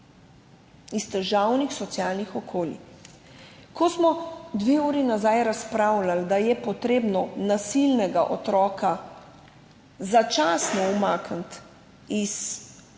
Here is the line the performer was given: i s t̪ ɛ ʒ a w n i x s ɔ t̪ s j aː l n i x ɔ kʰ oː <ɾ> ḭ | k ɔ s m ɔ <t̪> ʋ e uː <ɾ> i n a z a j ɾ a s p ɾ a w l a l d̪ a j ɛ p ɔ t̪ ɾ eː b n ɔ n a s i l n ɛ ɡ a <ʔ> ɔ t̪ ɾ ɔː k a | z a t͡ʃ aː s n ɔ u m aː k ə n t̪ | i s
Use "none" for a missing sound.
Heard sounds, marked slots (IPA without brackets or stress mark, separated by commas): l, d̪, ɾ, ʔ